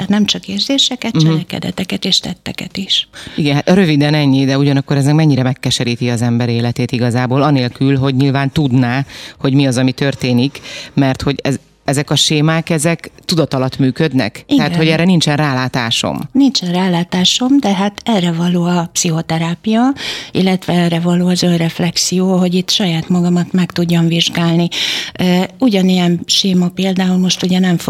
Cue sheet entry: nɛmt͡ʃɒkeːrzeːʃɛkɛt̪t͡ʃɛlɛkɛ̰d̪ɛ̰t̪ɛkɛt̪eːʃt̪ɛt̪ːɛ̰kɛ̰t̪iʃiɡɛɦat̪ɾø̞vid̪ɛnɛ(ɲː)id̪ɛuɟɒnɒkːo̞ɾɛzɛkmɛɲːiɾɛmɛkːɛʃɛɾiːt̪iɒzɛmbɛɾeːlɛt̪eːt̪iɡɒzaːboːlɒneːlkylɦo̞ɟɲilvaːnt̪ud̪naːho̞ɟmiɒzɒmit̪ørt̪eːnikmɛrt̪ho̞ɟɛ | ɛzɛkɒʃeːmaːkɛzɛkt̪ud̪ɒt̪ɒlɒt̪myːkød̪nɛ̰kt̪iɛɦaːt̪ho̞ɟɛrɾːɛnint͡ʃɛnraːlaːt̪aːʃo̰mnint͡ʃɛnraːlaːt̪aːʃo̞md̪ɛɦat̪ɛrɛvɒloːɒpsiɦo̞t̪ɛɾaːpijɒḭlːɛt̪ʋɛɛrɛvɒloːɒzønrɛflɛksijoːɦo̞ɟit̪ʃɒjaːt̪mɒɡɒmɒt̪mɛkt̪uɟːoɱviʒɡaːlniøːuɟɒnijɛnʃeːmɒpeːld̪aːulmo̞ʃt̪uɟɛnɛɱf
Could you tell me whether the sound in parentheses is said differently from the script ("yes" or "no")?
no